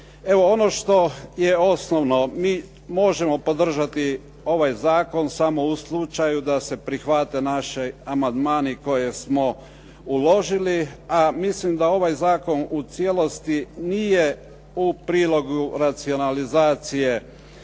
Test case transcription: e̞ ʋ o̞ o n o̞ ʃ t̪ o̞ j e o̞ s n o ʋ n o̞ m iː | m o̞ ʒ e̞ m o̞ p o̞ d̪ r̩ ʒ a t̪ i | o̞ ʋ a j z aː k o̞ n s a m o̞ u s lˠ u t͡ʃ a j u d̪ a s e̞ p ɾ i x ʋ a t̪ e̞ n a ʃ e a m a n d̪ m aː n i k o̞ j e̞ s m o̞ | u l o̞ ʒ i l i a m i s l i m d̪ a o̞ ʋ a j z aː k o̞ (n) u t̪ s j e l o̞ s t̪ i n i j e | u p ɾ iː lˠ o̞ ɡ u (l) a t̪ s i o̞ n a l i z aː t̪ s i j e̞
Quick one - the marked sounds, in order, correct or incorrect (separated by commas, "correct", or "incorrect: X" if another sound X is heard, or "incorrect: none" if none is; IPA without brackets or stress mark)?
correct, incorrect: ɾ